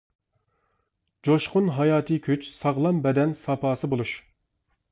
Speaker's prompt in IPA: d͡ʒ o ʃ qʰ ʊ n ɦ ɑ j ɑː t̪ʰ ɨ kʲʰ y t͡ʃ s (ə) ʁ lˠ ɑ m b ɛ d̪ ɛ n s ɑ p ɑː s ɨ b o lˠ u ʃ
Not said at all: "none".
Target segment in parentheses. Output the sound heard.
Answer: ɑ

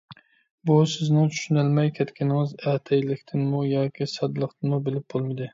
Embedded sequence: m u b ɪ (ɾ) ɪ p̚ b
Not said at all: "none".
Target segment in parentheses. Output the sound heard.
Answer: l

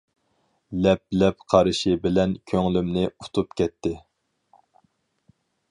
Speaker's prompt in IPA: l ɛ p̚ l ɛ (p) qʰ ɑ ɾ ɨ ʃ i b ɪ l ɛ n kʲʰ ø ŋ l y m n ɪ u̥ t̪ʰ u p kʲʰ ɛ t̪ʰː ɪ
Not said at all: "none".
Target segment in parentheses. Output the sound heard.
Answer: p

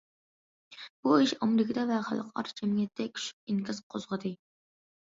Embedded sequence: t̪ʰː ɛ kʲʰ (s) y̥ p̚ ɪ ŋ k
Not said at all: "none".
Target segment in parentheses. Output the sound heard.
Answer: ʃ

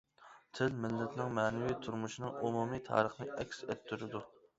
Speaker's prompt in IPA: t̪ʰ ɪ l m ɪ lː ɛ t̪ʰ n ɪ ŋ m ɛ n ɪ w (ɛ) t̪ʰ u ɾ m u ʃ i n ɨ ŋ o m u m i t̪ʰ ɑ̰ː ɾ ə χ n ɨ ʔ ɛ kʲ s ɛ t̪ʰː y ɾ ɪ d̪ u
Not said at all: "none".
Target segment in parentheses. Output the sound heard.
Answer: i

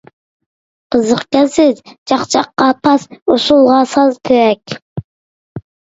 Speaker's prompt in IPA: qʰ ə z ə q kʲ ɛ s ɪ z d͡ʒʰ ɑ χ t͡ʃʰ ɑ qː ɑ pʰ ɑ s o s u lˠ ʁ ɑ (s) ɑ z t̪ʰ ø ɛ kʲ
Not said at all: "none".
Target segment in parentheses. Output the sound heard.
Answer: s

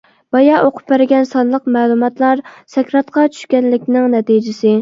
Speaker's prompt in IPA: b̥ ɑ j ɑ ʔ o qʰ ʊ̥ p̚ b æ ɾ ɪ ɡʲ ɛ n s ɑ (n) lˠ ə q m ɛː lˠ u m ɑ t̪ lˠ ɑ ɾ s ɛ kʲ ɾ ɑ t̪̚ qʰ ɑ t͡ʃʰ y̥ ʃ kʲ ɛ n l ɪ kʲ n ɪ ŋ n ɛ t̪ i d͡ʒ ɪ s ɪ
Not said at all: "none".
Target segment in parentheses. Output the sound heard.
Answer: n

